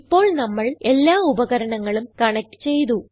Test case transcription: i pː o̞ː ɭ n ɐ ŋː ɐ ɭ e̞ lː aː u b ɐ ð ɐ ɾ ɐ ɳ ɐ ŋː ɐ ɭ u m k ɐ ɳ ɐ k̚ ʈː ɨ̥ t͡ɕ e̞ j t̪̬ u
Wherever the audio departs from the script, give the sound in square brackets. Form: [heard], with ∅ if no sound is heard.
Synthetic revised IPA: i pː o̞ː ɭ n ɐ [mː] ɐ ɭ e̞ lː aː u b ɐ [ɣ] ɐ ɾ ɐ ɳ ɐ ŋː ɐ ɭ u m k ɐ ɳ ɐ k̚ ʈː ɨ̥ t͡ɕ e̞ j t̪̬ u